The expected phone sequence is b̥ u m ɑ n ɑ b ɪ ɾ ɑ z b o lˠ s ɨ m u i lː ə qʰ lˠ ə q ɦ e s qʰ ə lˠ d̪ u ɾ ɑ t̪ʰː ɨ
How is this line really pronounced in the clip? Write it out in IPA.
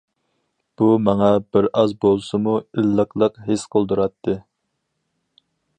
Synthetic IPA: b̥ u m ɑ ŋ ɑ b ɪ ɾ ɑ z b o lˠ s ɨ m u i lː ə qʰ lˠ ə q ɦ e s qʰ ə lˠ d̪ u ɾ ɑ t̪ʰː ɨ